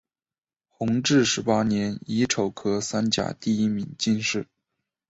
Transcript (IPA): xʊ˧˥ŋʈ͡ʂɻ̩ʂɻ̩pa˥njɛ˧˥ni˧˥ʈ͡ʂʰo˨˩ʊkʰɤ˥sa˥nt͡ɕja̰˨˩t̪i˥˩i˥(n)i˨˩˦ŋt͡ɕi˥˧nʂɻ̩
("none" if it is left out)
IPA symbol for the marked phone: m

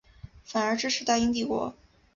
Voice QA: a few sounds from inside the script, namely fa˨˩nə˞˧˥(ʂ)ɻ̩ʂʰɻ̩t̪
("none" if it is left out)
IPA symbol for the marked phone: ʈ͡ʂ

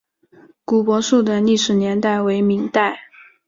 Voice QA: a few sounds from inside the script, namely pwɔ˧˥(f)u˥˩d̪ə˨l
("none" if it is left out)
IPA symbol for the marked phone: ʂ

